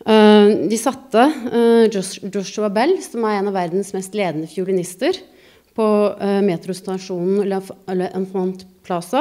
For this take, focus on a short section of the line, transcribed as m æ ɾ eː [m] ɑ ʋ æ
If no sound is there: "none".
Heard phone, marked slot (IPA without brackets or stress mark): n